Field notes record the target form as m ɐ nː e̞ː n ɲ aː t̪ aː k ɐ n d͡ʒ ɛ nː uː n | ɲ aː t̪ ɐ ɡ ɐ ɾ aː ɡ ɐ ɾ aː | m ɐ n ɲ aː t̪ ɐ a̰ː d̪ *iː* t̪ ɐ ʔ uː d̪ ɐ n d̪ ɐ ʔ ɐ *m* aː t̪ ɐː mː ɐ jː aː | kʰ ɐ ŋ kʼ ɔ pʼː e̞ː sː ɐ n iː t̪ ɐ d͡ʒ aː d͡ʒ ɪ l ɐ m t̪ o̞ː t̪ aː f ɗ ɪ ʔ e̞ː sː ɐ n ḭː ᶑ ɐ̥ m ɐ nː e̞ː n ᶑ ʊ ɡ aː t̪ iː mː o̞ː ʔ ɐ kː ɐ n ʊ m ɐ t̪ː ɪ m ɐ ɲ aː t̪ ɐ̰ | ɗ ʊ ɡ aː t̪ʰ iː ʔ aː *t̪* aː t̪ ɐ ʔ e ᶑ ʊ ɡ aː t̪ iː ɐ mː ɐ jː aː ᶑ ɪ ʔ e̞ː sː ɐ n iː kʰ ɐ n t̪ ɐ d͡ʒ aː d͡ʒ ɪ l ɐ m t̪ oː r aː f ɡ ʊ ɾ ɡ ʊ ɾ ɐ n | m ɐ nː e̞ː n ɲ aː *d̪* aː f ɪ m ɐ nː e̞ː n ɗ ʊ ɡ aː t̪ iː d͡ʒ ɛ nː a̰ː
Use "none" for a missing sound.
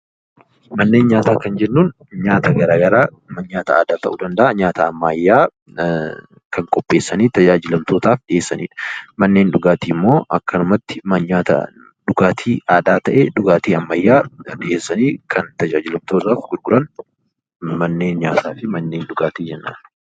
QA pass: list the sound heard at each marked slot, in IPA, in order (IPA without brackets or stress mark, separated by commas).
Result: aː, ɲ, d̪, t̪